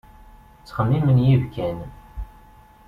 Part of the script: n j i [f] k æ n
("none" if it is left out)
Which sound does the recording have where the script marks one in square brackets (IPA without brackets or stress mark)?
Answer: v